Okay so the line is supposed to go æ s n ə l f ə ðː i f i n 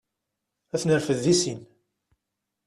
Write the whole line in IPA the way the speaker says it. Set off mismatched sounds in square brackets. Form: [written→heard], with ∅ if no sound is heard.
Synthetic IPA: æ [s→θ] n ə [l→ɾ] f ə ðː i [f→s] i n